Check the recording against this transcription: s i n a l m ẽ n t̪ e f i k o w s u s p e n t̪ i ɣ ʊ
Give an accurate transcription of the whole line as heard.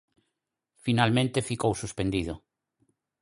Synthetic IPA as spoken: f i n a l m ẽ n t̪ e f i k o w s u s p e n d̪ i ð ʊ